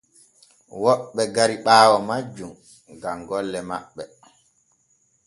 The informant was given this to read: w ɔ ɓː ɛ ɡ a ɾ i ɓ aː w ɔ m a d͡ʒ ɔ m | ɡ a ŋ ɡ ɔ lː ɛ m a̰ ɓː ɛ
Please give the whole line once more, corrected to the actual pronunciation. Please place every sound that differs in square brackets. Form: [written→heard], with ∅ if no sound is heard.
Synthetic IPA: w ɔ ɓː ɛ ɡ a ɾ i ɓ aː w ɔ m a d͡ʒ [ɔ→u] m | ɡ a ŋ ɡ ɔ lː ɛ m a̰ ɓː ɛ